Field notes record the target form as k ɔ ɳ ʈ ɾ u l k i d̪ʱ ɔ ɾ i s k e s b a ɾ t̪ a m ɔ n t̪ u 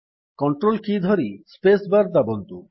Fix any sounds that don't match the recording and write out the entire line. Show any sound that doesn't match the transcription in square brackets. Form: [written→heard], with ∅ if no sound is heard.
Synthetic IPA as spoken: k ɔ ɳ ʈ ɾ [u→o] l k i d̪ʱ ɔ ɾ i s [k→p] e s b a ɾ [t̪→d̪] a [m→b] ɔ n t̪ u